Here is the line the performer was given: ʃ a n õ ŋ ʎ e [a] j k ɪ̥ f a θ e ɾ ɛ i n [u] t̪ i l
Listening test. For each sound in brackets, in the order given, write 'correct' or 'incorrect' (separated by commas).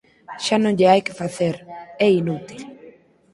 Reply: correct, correct